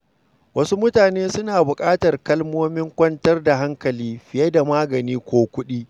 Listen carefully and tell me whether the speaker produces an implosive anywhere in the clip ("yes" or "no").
yes